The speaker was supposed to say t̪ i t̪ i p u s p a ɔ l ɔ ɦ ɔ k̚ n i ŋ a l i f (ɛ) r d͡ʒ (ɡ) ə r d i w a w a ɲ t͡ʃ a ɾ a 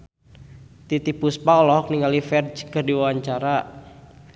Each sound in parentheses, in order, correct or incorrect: correct, incorrect: k

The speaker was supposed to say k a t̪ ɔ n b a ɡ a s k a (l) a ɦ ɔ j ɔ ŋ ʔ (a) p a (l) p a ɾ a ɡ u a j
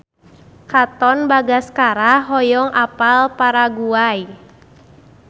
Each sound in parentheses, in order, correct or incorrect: incorrect: ɾ, correct, correct

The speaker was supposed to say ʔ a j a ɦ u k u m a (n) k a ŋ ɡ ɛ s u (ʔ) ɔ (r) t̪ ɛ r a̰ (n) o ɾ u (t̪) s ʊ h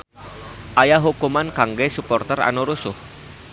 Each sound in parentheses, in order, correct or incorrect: correct, incorrect: p, correct, correct, incorrect: none

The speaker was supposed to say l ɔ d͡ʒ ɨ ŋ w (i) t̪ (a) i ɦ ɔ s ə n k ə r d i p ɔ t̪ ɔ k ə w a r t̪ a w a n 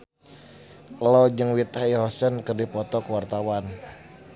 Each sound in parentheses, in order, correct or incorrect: correct, correct

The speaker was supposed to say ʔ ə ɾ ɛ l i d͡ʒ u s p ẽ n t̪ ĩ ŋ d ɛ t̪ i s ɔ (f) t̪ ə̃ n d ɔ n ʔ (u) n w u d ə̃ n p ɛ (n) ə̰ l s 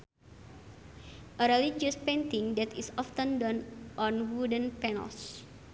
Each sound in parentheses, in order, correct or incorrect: correct, incorrect: ɔ, correct

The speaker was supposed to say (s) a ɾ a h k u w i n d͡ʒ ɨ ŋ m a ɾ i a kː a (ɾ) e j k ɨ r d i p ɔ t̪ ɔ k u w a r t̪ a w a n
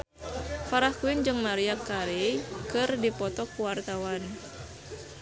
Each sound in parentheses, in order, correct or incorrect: incorrect: f, correct

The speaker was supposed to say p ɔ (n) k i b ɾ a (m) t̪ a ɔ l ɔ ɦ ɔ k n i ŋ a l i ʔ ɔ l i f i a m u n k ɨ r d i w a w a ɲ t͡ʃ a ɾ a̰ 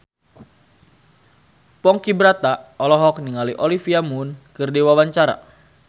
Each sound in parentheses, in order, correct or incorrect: incorrect: ŋ, incorrect: none

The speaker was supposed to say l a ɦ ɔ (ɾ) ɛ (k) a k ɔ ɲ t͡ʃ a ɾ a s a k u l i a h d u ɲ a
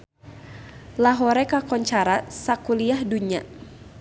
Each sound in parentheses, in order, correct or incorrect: correct, correct

